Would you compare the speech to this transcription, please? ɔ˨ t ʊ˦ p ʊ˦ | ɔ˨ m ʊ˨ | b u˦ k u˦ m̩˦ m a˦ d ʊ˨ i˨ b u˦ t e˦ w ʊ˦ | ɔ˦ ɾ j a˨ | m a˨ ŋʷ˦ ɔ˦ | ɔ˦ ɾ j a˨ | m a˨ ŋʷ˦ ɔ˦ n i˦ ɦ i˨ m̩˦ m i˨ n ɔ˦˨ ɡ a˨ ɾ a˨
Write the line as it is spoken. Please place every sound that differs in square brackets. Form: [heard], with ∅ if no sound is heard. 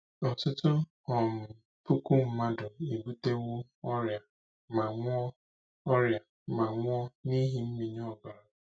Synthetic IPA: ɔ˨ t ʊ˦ [t] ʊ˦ | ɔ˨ m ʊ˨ | [p] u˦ k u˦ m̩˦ m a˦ d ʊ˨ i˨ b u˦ t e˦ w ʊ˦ | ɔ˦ ɾ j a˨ | m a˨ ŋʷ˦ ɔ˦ | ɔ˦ ɾ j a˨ | m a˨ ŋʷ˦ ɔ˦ n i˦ ɦ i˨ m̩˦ m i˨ [ɲ] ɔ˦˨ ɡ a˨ ɾ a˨